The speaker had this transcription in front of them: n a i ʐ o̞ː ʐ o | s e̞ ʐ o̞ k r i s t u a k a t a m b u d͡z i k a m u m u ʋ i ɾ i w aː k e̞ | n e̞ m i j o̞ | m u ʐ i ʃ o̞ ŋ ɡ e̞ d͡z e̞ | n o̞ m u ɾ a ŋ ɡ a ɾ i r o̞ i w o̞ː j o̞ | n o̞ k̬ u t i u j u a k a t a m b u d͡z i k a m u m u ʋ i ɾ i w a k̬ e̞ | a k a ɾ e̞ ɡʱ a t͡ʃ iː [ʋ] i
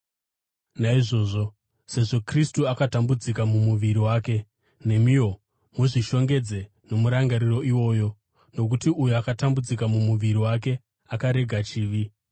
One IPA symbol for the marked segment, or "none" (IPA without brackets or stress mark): ʋ